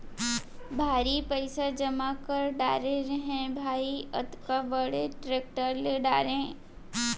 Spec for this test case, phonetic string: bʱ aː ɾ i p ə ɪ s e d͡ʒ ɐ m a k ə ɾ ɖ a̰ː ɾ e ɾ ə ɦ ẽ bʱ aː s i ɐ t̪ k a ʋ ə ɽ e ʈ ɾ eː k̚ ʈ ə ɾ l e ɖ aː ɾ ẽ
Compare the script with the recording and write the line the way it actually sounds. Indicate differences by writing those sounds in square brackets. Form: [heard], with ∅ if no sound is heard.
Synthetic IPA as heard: bʱ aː ɾ i p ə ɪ s [a] d͡ʒ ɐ m a k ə ɾ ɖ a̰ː ɾ e ɾ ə ɦ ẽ bʱ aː [∅] i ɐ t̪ k a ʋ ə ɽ e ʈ ɾ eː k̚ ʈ ə ɾ l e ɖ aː ɾ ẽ